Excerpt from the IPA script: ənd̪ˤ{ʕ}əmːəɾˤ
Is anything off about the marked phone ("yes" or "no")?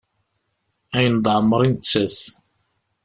no